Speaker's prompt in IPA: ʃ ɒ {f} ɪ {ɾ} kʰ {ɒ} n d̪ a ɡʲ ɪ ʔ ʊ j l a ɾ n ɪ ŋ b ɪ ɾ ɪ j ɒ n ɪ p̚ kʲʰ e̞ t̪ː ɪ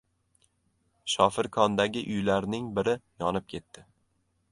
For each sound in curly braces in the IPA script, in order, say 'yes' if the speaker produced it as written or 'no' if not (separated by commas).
yes, yes, yes